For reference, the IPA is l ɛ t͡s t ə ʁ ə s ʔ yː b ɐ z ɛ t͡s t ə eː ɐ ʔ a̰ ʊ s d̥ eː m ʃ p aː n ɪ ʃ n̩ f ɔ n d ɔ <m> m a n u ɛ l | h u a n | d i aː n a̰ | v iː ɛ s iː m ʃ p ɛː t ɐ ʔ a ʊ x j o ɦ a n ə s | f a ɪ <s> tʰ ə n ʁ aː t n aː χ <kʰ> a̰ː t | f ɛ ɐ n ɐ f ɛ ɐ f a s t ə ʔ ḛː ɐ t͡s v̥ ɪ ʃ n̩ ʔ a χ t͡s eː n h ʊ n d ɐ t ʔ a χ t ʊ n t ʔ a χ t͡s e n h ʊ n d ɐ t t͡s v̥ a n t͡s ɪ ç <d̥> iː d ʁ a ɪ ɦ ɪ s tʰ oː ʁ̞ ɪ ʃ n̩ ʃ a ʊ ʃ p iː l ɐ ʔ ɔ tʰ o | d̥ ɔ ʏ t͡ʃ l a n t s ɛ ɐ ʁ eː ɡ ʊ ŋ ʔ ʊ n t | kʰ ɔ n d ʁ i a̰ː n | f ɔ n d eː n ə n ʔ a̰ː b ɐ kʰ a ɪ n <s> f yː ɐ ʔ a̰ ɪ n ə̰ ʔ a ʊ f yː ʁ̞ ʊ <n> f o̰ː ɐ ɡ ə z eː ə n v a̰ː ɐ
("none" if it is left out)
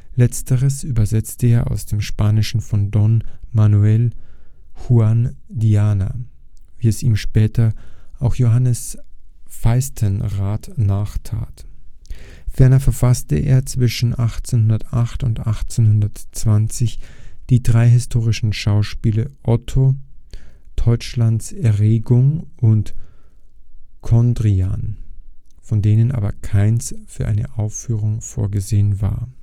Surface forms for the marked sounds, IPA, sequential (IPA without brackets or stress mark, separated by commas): n, s, tʰ, d̥, s, ŋ